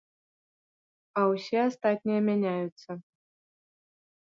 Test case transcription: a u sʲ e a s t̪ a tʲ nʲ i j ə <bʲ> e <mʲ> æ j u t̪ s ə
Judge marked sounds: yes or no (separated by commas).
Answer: no, no